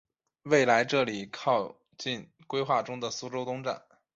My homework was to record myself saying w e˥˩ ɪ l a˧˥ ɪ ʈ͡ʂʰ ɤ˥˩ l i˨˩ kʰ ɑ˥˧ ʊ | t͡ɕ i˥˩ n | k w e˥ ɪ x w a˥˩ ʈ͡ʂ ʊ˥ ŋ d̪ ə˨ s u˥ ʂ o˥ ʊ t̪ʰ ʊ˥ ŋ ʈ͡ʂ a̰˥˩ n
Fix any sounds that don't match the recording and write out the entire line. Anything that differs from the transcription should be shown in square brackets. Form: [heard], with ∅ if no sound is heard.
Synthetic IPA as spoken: w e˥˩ ɪ l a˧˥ ɪ [ʈ͡ʂ] ɤ˥˩ l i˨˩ kʰ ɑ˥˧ ʊ | t͡ɕ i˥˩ n | k w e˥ ɪ x w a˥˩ ʈ͡ʂ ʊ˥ ŋ d̪ ə˨ s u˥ [ʈ͡ʂ] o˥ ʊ [t̪] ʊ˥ ŋ ʈ͡ʂ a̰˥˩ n